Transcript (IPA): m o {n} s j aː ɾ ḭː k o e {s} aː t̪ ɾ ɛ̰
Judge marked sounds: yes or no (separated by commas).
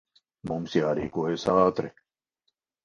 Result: no, yes